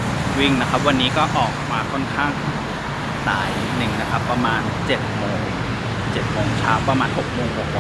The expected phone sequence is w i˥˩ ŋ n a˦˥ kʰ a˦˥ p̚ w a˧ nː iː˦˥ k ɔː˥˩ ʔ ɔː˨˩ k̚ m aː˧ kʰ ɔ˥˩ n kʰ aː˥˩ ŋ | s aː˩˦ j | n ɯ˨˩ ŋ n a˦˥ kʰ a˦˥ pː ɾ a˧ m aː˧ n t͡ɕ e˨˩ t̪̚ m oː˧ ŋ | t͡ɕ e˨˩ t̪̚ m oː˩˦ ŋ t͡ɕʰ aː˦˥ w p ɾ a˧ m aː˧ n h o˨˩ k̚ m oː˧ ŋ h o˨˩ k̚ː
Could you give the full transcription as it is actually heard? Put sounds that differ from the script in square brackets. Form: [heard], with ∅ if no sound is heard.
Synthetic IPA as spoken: w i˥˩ ŋ n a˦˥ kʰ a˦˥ p̚ w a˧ nː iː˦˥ k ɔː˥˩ ʔ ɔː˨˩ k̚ m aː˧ kʰ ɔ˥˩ n kʰ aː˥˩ ŋ | s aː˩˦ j | n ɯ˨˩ ŋ n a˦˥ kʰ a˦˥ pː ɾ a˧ m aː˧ n t͡ɕ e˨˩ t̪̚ m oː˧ ŋ | t͡ɕ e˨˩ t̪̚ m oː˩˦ ŋ t͡ɕʰ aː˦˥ w p ɾ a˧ m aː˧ n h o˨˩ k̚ m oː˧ ŋ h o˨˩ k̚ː